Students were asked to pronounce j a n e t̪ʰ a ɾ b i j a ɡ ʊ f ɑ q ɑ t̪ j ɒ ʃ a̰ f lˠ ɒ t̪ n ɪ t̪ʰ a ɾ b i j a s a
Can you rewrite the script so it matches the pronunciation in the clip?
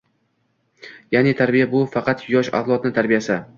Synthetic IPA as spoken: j a n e t̪ʰ a ɾ b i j a b ʊ f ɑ q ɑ t̪ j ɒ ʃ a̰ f lˠ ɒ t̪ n ɪ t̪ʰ a ɾ b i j a s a